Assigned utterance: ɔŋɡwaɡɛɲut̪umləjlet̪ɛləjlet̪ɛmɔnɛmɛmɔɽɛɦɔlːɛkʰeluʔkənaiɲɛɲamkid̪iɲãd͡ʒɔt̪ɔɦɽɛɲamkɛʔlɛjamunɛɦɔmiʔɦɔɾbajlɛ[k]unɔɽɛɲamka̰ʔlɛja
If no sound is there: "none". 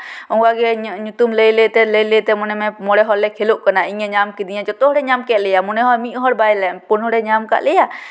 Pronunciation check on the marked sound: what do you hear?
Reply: p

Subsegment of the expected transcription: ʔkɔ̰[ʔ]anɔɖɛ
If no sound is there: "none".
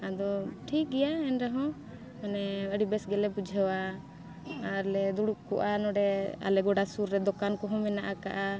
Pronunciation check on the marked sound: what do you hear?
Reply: ʔ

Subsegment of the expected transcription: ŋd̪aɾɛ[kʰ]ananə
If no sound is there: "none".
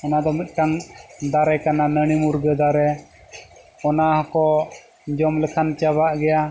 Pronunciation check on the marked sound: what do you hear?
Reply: k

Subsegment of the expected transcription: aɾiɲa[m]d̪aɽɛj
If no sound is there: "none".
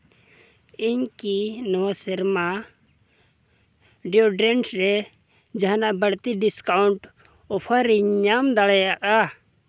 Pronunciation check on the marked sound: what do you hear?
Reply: m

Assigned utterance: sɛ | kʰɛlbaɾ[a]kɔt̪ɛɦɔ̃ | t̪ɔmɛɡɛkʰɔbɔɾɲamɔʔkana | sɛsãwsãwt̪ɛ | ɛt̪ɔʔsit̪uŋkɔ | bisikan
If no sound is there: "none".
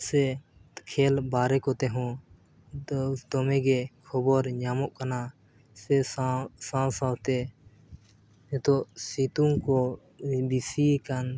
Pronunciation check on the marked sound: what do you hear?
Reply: ɛ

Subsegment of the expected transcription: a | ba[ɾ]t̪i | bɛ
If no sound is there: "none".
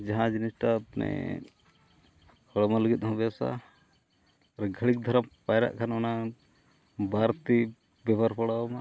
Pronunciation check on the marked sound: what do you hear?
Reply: ɾ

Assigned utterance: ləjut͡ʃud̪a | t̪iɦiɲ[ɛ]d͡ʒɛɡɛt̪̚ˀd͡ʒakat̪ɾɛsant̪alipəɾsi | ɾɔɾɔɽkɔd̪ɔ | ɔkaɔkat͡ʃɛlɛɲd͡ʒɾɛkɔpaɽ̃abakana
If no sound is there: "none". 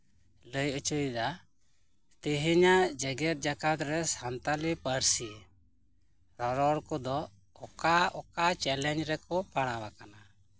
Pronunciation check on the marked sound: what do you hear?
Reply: a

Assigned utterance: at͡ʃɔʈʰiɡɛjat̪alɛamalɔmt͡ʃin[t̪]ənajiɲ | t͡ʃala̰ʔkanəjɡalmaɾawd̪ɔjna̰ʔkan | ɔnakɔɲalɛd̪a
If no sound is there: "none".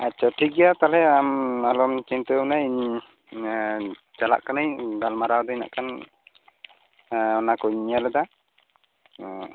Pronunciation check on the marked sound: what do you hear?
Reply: t̪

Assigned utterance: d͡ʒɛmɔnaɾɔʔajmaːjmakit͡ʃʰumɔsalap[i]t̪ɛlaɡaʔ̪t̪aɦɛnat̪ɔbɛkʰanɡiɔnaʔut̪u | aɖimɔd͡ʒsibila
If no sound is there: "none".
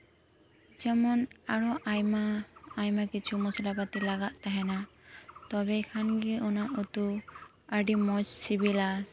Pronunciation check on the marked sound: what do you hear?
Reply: a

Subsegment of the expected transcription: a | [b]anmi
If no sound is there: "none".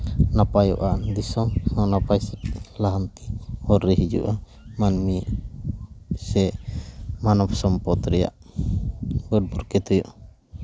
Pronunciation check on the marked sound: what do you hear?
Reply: m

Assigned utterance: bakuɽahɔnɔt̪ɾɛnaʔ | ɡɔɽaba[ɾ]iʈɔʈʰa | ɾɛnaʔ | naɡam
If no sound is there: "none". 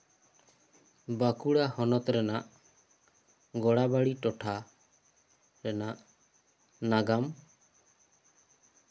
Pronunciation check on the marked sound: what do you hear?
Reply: ɽ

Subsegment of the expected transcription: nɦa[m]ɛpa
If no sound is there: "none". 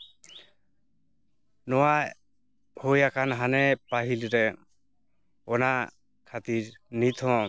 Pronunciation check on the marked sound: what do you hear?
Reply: n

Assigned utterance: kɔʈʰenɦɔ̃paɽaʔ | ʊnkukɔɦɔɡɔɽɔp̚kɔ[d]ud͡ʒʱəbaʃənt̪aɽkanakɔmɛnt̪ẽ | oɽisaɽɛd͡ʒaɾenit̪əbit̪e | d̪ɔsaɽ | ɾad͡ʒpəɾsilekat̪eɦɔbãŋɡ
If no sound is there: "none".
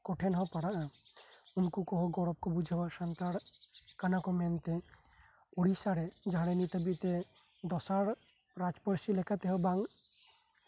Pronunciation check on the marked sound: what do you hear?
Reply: b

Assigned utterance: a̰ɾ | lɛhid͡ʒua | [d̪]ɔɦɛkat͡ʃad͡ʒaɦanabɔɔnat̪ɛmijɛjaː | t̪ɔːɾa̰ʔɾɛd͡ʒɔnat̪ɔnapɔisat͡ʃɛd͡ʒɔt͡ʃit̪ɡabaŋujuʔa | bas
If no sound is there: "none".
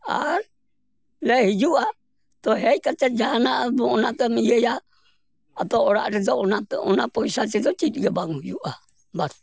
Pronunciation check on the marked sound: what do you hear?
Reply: t̪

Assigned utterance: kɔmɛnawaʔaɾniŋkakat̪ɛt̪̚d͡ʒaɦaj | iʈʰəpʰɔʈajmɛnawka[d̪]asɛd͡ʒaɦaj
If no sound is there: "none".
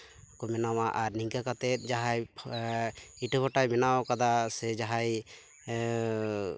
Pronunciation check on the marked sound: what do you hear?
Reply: d̪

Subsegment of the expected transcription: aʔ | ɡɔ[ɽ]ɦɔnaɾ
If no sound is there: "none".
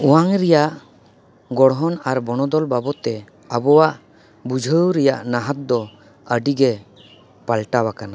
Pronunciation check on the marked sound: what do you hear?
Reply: ɽ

